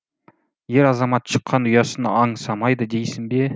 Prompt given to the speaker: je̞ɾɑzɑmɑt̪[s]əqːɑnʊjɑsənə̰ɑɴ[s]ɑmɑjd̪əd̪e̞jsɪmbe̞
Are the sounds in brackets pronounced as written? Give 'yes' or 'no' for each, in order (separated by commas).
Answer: no, yes